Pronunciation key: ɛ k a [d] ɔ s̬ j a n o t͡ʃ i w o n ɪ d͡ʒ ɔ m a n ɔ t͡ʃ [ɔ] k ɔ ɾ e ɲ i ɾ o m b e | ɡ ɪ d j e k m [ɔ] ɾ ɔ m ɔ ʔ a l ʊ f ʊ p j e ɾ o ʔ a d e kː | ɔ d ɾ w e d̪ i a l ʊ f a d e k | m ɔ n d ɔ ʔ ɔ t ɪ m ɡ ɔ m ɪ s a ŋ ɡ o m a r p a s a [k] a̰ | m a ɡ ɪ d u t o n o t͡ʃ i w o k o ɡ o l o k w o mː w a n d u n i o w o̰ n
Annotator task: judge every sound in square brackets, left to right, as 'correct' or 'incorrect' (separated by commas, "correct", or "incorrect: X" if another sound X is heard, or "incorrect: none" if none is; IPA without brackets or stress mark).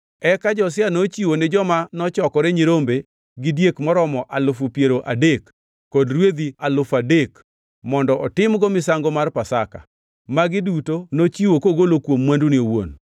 incorrect: d͡ʒ, correct, correct, correct